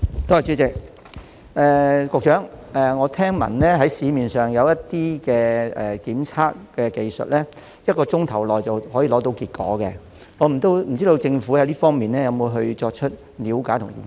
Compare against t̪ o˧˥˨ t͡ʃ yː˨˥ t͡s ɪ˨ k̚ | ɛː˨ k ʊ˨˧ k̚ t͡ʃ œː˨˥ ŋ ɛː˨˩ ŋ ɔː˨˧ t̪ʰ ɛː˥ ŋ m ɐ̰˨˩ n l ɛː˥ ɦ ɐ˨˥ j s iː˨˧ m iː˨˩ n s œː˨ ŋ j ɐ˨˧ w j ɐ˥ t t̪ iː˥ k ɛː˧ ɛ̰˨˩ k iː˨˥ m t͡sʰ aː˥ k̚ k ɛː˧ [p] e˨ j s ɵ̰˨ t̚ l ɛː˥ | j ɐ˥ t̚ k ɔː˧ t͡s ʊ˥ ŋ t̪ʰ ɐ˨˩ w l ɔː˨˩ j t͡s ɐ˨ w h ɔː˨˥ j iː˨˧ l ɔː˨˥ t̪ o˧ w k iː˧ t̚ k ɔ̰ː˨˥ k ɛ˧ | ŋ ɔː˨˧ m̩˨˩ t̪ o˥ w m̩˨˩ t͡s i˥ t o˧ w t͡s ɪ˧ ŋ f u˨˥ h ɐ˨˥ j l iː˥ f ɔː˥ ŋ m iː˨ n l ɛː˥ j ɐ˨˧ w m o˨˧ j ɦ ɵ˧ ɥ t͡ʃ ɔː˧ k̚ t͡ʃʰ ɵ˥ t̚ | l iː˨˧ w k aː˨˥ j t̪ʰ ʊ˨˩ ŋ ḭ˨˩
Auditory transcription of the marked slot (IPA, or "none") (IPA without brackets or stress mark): k